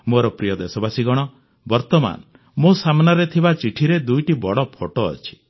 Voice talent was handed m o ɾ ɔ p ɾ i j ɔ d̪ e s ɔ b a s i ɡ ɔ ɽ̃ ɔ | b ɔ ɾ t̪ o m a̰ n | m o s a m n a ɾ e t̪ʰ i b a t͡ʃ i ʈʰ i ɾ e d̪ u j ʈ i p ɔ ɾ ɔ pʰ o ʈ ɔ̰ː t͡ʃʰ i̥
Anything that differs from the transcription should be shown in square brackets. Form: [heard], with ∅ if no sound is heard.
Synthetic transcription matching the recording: m o ɾ ɔ p ɾ i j ɔ d̪ e s ɔ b a s i ɡ ɔ ɽ̃ ɔ | b ɔ ɾ t̪ [ɔ] m a̰ n | m o s a m n a ɾ e t̪ʰ i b a t͡ʃ i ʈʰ i ɾ e d̪ u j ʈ i [b] ɔ [ɽ] ɔ pʰ o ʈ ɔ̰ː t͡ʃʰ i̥